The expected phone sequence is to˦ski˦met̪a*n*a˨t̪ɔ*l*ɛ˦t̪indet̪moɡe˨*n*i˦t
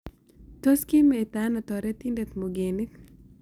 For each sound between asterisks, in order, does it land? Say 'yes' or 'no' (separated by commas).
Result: yes, no, yes